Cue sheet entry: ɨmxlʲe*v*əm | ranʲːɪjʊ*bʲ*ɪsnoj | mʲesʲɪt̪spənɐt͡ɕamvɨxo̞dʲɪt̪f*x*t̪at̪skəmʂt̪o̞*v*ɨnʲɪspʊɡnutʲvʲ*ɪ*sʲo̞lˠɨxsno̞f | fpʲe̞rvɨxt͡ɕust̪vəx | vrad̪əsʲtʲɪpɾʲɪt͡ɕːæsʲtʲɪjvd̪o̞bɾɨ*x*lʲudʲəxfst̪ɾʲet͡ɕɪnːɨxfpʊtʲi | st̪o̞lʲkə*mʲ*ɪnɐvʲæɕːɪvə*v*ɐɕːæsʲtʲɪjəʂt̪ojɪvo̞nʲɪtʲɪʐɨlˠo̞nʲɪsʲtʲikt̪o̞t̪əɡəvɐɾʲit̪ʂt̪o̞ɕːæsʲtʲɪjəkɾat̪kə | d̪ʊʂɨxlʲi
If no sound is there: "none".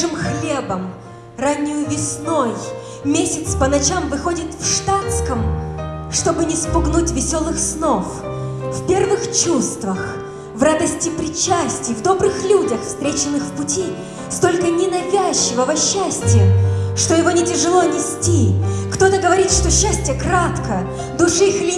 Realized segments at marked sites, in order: b, vʲ, ʂ, b, ɪ, x, nʲ, v

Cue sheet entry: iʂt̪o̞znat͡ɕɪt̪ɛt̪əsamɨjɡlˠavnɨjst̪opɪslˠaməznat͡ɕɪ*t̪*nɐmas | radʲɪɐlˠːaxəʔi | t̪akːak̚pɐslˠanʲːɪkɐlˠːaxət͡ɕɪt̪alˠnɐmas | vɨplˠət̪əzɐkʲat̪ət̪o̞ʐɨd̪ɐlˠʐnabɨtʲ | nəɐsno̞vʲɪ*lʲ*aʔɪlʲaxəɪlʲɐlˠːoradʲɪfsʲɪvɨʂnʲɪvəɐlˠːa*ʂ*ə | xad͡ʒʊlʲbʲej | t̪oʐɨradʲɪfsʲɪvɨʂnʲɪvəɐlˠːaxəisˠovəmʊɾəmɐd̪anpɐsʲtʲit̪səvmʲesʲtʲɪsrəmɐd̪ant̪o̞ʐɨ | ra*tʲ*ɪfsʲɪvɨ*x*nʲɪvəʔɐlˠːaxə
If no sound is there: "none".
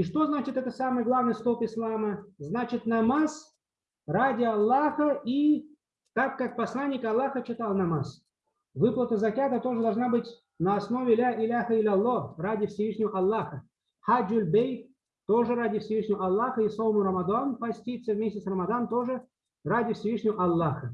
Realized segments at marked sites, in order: t̪, lʲ, x, dʲ, ʂ

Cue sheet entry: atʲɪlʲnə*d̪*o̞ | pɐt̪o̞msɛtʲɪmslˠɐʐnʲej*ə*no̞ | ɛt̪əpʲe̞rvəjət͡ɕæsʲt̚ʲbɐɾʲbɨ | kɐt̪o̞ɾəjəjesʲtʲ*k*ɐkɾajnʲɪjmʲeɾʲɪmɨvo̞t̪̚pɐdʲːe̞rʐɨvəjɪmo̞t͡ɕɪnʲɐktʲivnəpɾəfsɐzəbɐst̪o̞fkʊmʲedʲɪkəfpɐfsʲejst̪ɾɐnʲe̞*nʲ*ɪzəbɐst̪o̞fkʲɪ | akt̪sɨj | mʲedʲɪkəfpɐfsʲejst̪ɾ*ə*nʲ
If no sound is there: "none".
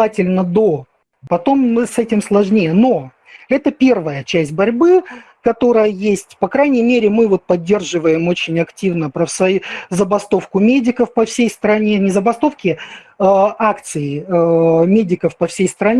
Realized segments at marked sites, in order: d̪, ə, p, nʲ, ɐ

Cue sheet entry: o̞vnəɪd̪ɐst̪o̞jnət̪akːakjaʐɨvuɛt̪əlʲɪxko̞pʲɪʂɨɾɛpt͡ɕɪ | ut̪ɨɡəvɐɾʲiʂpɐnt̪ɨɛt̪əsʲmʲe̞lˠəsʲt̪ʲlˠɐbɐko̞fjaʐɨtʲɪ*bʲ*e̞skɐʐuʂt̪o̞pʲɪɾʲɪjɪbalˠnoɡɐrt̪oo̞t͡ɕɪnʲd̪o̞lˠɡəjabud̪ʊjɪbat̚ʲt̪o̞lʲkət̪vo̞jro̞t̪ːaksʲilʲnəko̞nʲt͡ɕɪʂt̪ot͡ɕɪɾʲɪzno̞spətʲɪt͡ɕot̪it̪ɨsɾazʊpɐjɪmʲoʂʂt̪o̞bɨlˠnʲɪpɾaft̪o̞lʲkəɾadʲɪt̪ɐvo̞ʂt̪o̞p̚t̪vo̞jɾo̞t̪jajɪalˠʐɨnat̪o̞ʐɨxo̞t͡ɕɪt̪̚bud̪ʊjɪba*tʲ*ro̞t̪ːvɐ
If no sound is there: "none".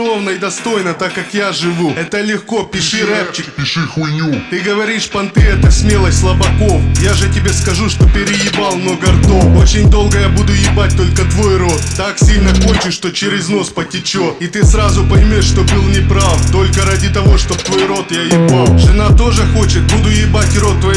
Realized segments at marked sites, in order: bʲ, tʲ

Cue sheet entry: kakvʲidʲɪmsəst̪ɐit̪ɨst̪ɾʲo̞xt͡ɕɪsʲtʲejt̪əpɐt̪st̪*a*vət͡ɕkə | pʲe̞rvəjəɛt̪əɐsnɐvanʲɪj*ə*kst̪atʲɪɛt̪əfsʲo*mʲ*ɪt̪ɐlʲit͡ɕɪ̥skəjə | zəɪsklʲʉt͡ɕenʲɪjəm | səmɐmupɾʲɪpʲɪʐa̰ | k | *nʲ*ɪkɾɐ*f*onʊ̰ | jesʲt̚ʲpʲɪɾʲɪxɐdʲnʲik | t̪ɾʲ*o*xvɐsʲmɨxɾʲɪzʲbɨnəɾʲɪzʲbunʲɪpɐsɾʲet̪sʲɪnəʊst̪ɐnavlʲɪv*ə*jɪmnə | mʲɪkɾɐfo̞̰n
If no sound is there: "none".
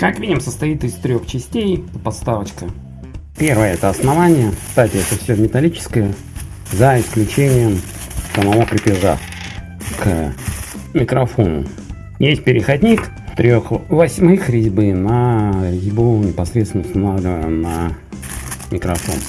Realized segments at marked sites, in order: a, ə, mʲ, mʲ, f, o, ə

